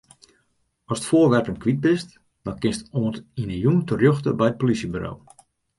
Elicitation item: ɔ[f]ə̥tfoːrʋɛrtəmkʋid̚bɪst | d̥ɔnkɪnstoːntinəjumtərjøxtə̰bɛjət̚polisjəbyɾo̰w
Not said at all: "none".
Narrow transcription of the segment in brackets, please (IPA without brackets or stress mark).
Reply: s